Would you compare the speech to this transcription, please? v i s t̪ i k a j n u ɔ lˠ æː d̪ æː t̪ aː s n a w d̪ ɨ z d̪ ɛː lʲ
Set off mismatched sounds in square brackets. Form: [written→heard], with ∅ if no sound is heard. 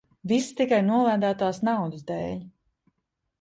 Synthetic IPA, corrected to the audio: v i s t̪ i k a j n u ɔ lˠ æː d̪ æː t̪ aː s n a w d̪ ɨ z d̪ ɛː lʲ

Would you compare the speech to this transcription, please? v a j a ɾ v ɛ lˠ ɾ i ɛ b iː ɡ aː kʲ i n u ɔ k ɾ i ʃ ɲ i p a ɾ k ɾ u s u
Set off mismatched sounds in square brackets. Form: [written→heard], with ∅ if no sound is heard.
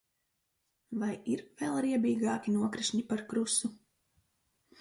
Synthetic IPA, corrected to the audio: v a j [a→i] ɾ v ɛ lˠ ɾ i ɛ b iː ɡ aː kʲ i n u ɔ k ɾ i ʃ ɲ i p a ɾ k ɾ u s u

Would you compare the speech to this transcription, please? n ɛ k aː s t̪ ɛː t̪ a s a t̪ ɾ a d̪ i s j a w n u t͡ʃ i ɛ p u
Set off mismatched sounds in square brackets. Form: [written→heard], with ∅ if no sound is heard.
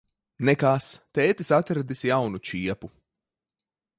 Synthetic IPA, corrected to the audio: n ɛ k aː s t̪ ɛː t̪ [a→i] s a t̪ ɾ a d̪ i s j a w n u t͡ʃ i ɛ p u

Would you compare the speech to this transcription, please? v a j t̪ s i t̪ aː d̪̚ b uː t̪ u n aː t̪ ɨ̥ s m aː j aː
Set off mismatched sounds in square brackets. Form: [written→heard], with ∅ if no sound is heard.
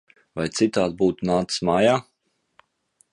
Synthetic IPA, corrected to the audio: v a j t̪ s i t̪ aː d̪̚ b uː t̪ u n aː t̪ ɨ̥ s m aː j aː

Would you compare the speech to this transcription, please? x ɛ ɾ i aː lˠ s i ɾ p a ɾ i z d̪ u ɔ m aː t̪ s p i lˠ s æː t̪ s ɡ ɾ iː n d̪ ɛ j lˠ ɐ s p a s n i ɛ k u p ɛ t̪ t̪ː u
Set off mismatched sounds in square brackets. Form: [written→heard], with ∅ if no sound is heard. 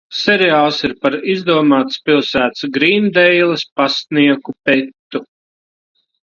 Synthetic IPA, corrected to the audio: [x→s] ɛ ɾ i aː lˠ s i ɾ p a ɾ i z d̪ u ɔ m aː t̪ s p i lˠ s æː t̪ s ɡ ɾ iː n d̪ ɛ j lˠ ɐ s p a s n i ɛ k u p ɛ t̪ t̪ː u

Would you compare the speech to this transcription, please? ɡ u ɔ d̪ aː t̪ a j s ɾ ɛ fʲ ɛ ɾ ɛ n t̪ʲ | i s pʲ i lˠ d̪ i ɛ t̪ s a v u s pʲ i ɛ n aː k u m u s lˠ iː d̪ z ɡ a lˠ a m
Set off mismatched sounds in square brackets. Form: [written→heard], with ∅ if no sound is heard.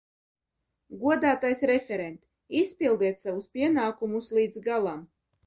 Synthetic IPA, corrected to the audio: ɡ u ɔ d̪ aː t̪ a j s ɾ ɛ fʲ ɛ ɾ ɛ n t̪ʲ | i s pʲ i lˠ d̪ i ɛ t̪ s a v u s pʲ i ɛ n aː k u m u s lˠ iː d̪ z ɡ a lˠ a m

